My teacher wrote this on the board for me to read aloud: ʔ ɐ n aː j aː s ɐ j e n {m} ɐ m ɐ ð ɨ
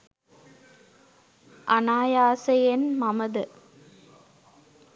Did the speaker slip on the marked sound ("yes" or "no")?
no